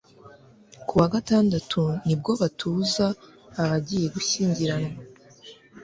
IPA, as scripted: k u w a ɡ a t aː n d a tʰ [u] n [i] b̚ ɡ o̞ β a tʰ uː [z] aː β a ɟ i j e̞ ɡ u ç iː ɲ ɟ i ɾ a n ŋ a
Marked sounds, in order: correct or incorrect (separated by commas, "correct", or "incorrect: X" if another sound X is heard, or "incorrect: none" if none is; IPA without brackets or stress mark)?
correct, correct, correct